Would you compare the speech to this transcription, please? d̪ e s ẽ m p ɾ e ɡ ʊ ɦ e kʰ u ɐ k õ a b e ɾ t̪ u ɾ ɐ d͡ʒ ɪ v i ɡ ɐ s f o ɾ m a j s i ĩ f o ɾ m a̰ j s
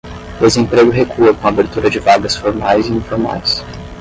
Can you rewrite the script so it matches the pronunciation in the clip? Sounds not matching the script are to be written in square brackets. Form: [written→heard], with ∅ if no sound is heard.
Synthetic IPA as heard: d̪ e [s→z] ẽ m p ɾ e ɡ ʊ ɦ e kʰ u ɐ k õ a b e ɾ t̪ u ɾ ɐ d͡ʒ ɪ v [i→a] ɡ ɐ s f o ɾ m a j [s→z] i ĩ f o ɾ m a̰ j s

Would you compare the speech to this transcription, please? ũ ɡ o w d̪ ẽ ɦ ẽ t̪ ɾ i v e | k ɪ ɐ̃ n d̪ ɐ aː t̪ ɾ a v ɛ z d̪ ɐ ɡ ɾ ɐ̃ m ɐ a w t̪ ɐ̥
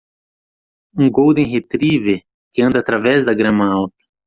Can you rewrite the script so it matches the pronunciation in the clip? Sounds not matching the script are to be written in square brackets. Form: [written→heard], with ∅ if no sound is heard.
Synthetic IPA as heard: ũ ɡ o w d̪ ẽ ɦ [ẽ→e] t̪ ɾ i v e | k ɪ ɐ̃ n d̪ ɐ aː t̪ ɾ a v ɛ z d̪ ɐ ɡ ɾ ɐ̃ m ɐ a w t̪ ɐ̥

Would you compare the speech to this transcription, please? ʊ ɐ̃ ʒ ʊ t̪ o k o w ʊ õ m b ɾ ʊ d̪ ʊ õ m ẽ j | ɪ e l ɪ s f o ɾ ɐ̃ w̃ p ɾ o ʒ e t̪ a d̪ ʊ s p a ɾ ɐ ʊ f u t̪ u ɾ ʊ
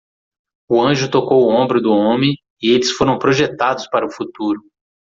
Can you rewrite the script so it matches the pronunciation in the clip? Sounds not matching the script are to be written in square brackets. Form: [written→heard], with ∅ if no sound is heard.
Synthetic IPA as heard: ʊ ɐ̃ ʒ ʊ t̪ o k o w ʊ õ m b ɾ ʊ d̪ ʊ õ m ẽ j | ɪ e l ɪ s f o ɾ ɐ̃ w̃ p ɾ o ʒ e t̪ a d̪ ʊ s p a ɾ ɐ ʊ f u t̪ u ɾ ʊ

